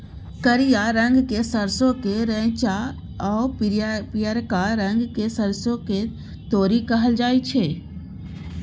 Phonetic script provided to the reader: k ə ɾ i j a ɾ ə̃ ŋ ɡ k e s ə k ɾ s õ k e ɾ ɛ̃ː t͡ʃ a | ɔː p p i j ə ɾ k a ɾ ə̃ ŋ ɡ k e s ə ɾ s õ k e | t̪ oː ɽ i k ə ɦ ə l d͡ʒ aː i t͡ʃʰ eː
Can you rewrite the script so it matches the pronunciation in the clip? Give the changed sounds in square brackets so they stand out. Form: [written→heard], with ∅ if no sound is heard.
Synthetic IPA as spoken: k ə ɾ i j a ɾ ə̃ ŋ ɡ k e s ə [k→∅] ɾ s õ k e ɾ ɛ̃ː t͡ʃ a | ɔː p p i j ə ɾ k a ɾ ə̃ ŋ ɡ k e s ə ɾ s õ k e | t̪ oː [ɽ→ɾ] i k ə ɦ ə l d͡ʒ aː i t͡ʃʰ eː